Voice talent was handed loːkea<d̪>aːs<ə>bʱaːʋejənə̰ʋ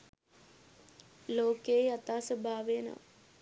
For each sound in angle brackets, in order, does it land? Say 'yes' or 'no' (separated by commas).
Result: no, yes